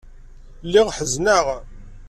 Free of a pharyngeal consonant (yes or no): no